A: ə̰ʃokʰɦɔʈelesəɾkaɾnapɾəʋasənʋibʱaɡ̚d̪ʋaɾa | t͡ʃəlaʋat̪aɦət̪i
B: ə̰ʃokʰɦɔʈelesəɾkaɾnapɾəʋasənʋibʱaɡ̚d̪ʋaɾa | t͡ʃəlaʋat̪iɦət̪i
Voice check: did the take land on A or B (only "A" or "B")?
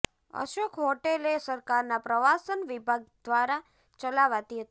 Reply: B